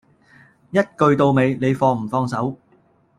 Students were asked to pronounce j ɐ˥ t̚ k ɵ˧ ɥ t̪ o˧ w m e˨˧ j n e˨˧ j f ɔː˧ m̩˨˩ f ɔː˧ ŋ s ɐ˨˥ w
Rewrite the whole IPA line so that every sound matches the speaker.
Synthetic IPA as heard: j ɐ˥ t̚ k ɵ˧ ɥ t̪ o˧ w m e˨˧ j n e˨˧ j f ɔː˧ m̩˨˩ f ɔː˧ ŋ s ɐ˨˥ w